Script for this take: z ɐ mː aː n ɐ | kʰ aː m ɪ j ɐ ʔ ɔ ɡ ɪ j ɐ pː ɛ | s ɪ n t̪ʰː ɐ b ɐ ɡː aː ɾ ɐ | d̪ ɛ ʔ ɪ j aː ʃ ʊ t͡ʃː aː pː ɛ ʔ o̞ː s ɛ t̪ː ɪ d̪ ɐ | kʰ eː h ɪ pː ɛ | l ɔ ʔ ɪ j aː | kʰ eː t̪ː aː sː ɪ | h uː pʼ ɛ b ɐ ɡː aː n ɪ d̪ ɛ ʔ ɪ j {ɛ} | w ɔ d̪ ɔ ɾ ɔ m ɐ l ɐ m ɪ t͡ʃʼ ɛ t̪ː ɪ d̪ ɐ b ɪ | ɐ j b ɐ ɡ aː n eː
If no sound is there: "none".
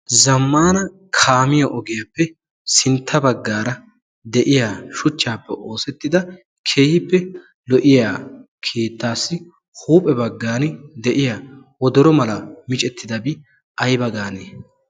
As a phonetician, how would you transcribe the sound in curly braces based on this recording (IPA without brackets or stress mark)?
a